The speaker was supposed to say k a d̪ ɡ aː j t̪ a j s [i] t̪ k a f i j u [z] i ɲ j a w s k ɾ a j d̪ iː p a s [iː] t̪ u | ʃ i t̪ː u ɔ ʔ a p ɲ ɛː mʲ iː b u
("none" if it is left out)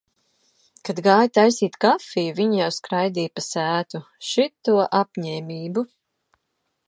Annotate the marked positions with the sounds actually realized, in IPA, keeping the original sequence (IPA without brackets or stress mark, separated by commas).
iː, v, æː